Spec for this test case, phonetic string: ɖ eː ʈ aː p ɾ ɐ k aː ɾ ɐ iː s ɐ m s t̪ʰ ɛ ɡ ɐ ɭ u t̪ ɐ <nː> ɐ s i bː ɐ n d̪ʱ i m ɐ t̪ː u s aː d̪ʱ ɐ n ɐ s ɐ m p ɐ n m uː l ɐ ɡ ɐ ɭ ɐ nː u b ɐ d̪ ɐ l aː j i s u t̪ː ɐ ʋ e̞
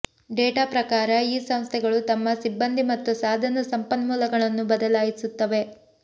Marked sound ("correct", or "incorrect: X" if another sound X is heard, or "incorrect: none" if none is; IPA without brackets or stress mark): incorrect: mː